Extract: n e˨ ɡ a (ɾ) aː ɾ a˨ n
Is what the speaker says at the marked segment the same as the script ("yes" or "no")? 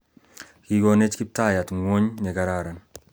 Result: yes